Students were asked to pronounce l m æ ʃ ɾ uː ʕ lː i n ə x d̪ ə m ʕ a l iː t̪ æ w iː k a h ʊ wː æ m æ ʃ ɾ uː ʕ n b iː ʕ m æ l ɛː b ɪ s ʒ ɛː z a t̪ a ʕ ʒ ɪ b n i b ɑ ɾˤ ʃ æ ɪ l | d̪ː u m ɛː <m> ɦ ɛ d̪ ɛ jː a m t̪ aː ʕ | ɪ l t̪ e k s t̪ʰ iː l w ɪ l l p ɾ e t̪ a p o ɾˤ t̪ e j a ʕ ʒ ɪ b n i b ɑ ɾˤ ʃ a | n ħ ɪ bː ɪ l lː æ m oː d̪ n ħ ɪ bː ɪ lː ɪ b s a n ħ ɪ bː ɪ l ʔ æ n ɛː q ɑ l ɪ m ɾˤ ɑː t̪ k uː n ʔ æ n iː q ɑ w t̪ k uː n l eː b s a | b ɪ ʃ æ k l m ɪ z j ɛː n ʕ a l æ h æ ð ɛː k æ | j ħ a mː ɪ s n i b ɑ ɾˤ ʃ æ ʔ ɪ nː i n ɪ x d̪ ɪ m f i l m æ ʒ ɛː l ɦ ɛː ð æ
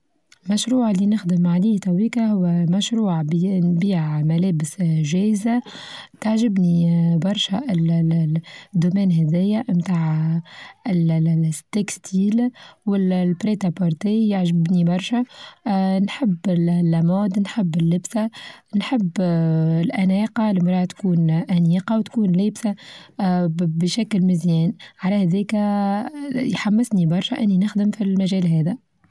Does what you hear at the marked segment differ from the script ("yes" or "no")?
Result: yes